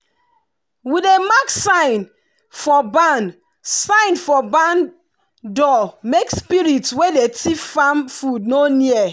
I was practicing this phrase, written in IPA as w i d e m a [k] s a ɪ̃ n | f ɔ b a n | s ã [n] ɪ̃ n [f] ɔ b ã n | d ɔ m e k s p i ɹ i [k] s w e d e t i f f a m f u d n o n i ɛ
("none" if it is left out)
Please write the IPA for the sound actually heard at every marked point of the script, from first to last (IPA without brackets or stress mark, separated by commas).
k, none, f, t